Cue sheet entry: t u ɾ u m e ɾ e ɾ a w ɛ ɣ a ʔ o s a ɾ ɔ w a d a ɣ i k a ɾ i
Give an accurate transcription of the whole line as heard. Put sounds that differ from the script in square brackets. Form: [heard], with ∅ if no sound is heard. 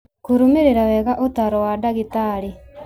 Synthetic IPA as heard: [k] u ɾ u m e ɾ e ɾ a w ɛ ɣ a ʔ o [t] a ɾ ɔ w a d a ɣ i [t] a ɾ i